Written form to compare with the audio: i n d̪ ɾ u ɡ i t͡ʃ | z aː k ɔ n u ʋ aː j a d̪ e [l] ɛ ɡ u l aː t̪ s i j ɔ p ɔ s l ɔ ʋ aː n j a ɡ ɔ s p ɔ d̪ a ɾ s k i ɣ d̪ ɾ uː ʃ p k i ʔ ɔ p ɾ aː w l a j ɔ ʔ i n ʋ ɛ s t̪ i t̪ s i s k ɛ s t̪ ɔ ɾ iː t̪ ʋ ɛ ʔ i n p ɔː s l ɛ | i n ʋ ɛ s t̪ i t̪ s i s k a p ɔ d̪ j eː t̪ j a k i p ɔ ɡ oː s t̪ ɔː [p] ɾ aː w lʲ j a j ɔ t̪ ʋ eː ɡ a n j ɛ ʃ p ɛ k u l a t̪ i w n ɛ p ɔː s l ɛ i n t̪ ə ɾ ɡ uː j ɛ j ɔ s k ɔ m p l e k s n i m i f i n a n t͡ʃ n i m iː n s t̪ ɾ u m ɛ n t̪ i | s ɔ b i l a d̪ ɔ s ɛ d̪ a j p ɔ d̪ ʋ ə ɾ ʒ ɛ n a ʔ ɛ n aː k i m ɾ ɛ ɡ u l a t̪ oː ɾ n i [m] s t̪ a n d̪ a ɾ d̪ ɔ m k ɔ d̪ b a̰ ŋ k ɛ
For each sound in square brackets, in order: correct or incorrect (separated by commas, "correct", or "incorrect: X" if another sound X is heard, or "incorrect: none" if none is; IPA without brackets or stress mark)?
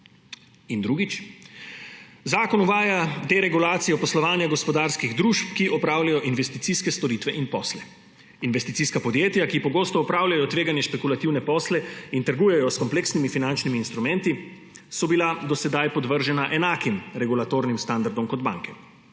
incorrect: ɾ, correct, correct